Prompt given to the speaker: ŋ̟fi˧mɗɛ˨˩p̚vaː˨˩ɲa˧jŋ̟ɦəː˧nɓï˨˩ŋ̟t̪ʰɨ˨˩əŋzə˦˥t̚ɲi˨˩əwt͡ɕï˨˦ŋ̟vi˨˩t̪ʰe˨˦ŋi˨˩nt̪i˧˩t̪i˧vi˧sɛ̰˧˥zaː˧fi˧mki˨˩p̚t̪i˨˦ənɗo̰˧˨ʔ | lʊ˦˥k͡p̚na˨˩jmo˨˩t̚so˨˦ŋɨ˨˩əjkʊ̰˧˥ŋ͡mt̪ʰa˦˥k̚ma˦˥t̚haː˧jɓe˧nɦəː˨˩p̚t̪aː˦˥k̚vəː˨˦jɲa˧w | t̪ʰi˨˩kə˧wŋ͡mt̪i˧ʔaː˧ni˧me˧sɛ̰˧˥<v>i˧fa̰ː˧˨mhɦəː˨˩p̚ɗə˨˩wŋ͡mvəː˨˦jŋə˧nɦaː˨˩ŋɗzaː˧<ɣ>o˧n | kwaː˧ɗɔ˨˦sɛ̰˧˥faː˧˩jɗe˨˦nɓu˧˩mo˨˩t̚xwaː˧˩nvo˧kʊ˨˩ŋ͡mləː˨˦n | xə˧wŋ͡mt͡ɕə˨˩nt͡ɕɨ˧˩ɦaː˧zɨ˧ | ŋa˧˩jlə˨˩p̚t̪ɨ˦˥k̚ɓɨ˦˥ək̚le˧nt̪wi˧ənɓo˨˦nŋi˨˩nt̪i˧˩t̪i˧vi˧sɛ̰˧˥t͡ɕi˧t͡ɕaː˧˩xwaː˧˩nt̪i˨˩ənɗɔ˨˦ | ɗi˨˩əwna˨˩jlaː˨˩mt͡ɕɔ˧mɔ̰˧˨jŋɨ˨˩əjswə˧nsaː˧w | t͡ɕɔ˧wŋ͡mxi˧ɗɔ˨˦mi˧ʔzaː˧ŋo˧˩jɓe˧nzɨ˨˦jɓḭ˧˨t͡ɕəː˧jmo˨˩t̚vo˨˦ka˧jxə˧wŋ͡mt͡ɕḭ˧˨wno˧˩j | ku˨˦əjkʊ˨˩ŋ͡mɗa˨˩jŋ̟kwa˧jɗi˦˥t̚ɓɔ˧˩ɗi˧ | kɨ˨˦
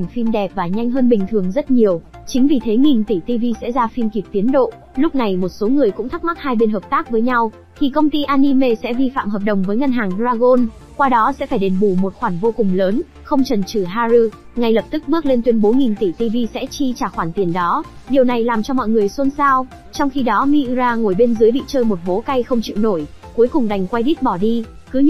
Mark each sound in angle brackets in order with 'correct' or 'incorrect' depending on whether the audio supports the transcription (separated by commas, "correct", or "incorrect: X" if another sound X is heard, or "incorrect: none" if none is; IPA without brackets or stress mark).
correct, correct